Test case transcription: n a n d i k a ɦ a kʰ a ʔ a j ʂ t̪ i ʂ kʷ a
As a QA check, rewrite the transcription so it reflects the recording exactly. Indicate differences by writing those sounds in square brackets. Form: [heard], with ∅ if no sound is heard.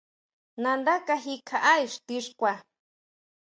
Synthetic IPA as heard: n a n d [a] k a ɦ [i] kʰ a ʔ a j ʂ t̪ i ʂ kʷ a

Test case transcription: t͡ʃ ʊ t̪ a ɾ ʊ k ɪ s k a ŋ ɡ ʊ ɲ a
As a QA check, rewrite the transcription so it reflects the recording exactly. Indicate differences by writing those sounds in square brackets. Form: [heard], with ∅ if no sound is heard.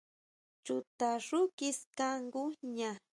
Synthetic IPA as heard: t͡ʃ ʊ t̪ a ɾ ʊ k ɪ s k a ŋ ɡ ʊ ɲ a

